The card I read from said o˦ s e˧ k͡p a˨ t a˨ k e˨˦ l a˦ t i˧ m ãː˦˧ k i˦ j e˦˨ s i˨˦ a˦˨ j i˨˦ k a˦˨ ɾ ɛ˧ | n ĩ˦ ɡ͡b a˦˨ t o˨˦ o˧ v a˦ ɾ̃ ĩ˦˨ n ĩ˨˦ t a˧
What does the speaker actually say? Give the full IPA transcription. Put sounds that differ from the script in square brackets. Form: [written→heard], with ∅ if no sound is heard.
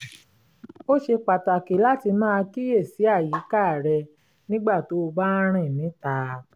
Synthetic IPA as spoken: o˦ [s→ʃ] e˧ k͡p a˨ t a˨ k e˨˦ l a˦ t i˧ m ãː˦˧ k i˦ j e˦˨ s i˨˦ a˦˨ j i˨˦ k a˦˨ ɾ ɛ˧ | n ĩ˦ ɡ͡b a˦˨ t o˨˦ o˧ [v→b] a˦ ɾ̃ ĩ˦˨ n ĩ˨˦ t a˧